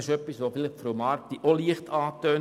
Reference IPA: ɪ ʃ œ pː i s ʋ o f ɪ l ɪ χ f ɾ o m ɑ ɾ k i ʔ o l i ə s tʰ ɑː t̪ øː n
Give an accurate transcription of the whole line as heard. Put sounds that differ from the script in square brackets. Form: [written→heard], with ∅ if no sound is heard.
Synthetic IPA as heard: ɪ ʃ œ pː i s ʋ o f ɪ l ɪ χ f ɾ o m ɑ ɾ [k→t] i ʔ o l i ə [s→χ] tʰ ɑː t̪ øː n